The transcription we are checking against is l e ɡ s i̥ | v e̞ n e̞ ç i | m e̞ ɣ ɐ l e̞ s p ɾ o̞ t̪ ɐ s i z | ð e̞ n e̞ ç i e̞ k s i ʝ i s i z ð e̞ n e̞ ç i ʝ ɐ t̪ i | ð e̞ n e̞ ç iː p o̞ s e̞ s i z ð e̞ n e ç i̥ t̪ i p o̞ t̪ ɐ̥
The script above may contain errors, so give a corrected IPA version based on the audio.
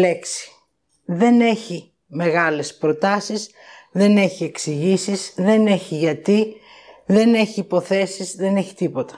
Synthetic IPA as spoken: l e k s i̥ | ð e̞ n e̞ ç i | m e̞ ɣ ɐ l e̞ s p ɾ o̞ t̪ ɐ s i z | ð e̞ n e̞ ç i e̞ k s i ʝ i s i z ð e̞ n e̞ ç i ʝ ɐ t̪ i | ð e̞ n e̞ ç iː p o̞ θ e̞ s i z ð e̞ n e ç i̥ t̪ i p o̞ t̪ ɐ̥